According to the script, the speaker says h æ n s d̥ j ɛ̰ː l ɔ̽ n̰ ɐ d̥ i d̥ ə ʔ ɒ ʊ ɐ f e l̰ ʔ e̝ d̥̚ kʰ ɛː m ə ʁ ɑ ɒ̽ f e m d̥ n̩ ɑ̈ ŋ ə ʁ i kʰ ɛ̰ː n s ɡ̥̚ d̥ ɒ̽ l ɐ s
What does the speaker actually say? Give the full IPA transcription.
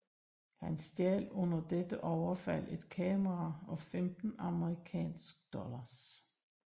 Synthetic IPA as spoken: h æ n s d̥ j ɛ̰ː l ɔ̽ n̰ ɐ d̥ e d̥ ə ʔ ɒ ʊ ɐ f æ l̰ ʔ e̝ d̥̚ kʰ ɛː m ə ʁ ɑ ɒ̽ f e m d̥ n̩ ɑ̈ m ə ʁ i kʰ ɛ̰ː n s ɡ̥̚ d̥ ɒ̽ l ɐ s